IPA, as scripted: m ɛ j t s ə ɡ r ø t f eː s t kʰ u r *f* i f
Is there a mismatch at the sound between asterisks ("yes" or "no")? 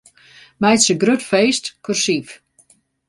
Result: yes